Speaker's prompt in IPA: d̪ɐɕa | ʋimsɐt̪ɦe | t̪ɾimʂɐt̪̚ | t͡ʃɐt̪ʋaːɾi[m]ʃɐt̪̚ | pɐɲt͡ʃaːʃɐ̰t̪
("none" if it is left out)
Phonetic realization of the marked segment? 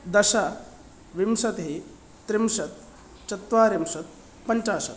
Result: m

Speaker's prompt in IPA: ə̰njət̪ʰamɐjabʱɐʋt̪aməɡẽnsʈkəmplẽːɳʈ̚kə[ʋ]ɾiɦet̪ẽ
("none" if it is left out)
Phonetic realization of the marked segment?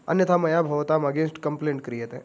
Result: none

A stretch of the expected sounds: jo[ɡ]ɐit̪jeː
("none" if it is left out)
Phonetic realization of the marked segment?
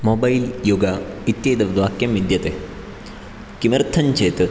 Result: ɡ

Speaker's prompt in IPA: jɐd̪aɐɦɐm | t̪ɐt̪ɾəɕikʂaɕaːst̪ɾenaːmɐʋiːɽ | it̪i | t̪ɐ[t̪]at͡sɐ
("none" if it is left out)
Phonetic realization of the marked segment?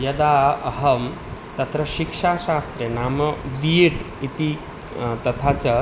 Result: t̪ʰ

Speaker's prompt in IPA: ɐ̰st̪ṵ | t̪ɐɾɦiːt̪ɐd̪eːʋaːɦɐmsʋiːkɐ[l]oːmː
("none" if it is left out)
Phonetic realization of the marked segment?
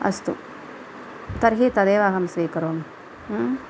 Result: ɾ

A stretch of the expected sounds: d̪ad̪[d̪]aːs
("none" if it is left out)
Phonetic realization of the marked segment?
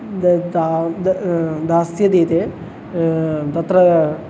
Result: d̪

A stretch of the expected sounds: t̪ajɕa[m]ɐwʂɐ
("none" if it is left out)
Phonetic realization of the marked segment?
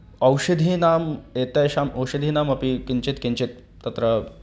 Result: m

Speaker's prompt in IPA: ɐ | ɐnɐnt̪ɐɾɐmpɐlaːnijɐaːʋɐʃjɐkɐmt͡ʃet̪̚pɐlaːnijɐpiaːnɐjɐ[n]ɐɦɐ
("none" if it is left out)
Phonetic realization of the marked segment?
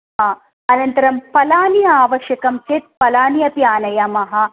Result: m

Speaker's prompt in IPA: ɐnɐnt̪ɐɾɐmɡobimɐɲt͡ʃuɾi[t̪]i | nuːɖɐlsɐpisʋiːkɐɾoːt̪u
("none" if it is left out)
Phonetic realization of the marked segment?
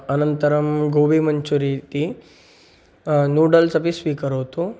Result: t̪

